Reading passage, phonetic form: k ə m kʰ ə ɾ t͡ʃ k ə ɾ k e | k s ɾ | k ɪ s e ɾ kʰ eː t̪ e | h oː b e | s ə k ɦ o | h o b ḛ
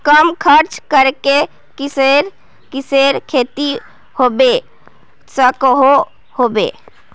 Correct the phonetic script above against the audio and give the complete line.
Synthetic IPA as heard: k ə m kʰ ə ɾ t͡ʃ k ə ɾ k e | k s ɾ | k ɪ s e ɾ kʰ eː t̪ i | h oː b e | s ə k ɦ o | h o b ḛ

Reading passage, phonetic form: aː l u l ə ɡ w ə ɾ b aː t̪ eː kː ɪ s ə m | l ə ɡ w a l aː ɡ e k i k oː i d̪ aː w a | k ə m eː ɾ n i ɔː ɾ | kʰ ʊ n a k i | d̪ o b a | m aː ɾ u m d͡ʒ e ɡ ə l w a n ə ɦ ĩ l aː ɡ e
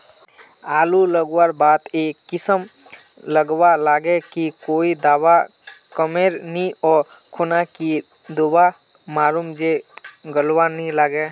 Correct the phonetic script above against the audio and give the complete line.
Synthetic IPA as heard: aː l u l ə ɡ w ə ɾ b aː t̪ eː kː ɪ s ə m | l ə ɡ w a l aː ɡ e k i k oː i d̪ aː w a | k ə m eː ɾ n i ɔː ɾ | kʰ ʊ n a k i | d̪ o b a | m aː ɾ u m d͡ʒ e ɡ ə l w a n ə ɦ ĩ l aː ɡ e

